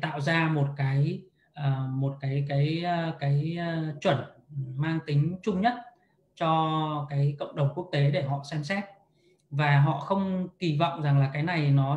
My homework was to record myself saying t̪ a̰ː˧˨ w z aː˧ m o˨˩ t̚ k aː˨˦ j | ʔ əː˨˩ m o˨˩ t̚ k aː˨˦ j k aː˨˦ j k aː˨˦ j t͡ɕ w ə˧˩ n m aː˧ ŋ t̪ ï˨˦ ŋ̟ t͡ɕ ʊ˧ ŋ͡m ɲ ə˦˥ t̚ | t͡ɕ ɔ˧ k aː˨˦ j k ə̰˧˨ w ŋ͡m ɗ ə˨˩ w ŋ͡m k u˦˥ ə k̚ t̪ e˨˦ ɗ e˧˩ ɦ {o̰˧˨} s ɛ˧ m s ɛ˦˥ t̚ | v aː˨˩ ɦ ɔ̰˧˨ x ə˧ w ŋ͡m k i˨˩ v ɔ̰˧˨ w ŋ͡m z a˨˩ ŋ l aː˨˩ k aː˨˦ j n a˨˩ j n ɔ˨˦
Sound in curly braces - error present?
yes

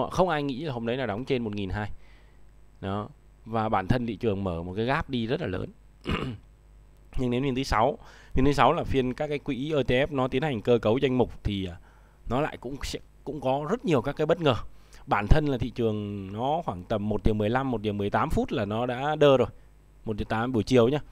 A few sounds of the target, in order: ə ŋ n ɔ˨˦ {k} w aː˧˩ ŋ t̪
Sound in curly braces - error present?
yes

